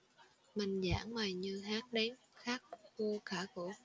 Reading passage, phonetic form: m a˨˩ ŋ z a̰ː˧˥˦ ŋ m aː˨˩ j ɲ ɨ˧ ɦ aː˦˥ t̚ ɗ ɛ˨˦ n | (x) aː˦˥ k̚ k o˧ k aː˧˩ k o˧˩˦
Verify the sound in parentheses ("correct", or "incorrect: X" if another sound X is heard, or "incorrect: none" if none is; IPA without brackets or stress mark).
correct